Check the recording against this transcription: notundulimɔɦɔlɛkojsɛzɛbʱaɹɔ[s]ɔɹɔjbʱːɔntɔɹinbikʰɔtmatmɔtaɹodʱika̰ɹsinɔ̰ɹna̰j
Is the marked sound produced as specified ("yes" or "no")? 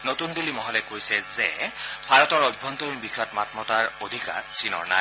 no